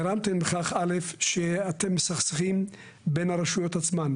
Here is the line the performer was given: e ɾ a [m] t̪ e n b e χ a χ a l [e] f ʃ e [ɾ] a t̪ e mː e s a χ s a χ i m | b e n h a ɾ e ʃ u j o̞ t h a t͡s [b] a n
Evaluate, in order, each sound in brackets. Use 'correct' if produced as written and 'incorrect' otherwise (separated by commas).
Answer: correct, correct, incorrect, incorrect